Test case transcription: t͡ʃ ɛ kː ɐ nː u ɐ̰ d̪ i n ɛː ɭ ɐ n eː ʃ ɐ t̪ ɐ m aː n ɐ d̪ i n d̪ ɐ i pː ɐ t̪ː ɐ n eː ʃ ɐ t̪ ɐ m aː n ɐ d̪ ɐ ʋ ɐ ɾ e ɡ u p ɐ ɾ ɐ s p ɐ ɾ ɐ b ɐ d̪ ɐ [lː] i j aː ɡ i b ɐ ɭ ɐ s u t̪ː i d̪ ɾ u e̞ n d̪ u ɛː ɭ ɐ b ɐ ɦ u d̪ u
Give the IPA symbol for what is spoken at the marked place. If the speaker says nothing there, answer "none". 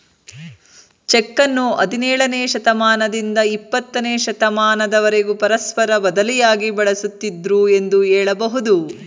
l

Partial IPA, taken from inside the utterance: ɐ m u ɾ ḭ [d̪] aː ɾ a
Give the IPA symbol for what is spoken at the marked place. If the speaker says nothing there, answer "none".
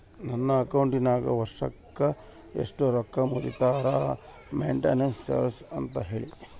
t̪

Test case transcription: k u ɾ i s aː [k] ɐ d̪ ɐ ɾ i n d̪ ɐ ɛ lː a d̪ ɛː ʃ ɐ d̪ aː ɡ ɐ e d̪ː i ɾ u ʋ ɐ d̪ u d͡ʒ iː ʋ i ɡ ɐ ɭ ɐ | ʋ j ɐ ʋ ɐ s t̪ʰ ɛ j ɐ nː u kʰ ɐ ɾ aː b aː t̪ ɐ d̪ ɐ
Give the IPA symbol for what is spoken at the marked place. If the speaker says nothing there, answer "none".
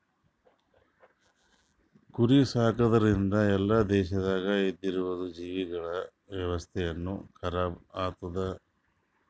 k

